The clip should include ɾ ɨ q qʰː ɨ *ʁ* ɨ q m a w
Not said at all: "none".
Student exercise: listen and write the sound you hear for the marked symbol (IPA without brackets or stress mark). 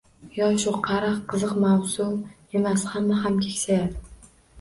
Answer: z